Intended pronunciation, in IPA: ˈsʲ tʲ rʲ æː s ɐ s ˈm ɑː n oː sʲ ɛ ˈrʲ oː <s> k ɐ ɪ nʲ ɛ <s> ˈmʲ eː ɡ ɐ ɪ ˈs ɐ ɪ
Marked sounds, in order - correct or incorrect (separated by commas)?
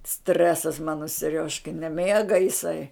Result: incorrect, incorrect